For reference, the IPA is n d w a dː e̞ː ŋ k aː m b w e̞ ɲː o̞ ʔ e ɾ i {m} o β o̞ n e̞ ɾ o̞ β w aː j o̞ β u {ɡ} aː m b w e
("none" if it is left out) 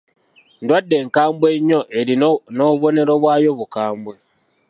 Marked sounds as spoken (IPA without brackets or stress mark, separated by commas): n, k